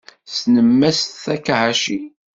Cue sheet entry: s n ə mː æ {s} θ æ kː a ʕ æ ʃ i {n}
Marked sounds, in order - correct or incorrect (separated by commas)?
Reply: correct, incorrect